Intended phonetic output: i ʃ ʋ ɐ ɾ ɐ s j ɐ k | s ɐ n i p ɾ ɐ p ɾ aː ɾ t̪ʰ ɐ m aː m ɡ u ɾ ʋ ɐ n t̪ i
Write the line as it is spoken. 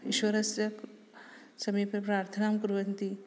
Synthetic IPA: i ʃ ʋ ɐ ɾ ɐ s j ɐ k | s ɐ m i p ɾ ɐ p ɾ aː ɾ t̪ʰ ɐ n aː m k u ɾ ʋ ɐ n t̪ i